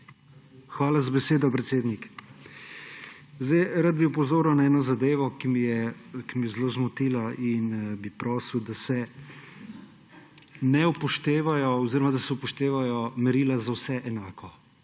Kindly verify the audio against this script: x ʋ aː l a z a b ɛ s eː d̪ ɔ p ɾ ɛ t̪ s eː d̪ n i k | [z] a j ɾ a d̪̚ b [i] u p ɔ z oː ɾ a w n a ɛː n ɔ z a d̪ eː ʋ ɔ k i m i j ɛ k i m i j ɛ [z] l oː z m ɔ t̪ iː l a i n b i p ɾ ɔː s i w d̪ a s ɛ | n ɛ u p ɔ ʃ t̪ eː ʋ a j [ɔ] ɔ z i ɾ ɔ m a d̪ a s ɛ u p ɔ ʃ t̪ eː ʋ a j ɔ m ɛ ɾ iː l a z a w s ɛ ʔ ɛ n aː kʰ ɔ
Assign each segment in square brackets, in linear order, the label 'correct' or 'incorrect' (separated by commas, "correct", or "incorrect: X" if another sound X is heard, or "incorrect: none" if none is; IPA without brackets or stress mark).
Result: correct, correct, correct, correct